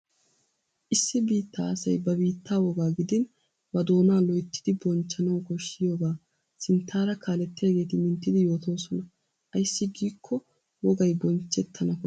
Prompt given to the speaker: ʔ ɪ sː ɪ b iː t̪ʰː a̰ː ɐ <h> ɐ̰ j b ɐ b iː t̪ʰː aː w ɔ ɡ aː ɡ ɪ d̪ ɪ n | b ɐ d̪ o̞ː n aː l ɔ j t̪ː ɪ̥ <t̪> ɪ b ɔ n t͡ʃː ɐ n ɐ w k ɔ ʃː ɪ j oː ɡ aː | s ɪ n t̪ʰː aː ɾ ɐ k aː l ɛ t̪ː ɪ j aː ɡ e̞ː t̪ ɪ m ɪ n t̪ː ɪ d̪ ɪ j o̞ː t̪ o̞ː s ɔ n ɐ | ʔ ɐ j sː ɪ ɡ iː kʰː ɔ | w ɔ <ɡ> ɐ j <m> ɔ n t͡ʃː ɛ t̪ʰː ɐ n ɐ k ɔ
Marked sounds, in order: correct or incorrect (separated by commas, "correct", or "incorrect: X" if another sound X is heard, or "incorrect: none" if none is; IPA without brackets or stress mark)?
incorrect: s, incorrect: d̪, correct, incorrect: b